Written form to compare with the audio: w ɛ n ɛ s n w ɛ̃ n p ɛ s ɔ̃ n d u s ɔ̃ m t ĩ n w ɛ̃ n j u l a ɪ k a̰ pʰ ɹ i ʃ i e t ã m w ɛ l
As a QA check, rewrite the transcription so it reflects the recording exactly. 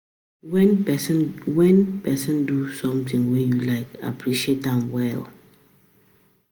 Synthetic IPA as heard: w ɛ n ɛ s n w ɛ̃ n p ɛ s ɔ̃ n d u s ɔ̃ m t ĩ ŋ w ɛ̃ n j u l a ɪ k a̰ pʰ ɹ i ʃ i e t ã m w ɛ l